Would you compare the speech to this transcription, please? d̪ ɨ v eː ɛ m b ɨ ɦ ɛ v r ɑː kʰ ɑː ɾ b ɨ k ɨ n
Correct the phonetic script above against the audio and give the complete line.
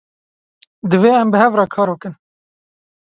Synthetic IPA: d̪ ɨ v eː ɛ m b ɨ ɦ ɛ v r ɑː kʰ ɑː ɾ b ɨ k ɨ n